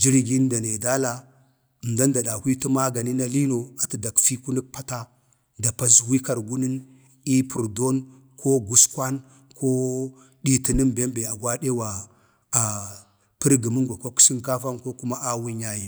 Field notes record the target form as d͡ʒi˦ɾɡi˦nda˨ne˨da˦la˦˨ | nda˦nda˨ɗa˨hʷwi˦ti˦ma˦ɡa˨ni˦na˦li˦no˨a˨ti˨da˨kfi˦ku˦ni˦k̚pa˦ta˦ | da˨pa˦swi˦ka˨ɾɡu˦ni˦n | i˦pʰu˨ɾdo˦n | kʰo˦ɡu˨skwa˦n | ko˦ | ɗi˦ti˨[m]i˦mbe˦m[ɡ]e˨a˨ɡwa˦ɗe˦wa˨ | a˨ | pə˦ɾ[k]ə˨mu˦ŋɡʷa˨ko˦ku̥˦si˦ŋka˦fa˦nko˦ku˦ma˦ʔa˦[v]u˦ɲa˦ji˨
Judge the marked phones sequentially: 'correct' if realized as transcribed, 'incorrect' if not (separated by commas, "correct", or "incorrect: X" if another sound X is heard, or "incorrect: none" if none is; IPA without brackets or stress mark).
incorrect: n, incorrect: b, incorrect: ɡ, incorrect: w